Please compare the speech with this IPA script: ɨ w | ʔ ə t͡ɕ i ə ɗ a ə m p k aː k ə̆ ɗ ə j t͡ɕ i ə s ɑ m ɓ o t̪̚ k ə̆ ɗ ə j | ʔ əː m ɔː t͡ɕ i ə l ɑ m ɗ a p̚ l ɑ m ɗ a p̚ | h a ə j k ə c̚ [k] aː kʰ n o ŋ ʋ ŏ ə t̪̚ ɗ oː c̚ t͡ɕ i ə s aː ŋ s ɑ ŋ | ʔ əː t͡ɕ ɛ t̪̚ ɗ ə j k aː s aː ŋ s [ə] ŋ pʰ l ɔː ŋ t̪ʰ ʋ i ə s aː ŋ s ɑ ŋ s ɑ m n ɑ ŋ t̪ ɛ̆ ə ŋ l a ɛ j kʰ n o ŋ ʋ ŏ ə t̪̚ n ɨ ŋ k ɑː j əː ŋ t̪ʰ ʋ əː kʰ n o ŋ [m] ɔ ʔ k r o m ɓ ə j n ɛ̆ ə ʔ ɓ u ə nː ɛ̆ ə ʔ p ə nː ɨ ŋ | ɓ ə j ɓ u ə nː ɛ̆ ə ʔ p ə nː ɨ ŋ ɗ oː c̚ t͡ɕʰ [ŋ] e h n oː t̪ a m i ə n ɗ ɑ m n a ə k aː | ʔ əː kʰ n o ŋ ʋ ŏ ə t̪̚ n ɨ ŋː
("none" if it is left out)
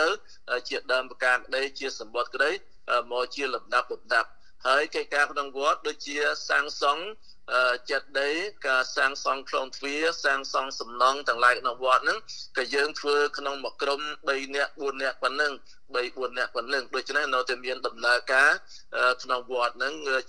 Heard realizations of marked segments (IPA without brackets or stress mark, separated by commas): k, ɑ, m, n